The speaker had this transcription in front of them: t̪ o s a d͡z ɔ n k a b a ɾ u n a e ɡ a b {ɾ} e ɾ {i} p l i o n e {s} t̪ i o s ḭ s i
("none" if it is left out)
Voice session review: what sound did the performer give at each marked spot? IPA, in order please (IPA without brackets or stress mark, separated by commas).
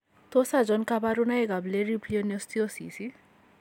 l, i, s